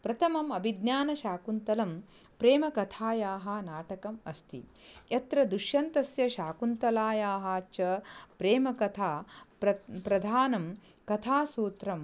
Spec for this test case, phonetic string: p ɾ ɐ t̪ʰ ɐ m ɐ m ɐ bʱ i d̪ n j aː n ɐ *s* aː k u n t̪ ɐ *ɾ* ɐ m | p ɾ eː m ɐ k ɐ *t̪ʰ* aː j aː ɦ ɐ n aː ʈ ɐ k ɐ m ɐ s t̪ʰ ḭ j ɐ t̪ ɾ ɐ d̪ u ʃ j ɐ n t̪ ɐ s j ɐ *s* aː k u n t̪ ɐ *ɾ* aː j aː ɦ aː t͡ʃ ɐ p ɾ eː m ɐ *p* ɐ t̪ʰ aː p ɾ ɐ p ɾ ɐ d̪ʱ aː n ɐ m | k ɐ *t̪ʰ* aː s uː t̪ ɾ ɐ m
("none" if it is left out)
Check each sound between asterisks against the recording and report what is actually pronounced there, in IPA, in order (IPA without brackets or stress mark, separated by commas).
ʃ, l, t̪ʰ, ʃ, l, k, t̪ʰ